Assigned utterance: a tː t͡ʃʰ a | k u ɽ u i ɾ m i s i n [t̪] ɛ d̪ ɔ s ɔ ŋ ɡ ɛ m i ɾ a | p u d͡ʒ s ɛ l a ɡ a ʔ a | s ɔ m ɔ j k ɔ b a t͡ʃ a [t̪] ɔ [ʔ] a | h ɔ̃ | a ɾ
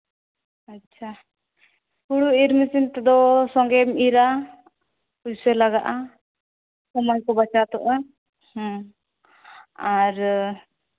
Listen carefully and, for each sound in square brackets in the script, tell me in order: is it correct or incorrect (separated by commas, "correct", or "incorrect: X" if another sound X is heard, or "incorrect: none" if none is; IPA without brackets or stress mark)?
correct, correct, correct